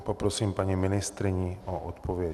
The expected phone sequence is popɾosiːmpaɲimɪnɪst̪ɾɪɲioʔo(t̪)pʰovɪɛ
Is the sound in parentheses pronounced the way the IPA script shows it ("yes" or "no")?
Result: yes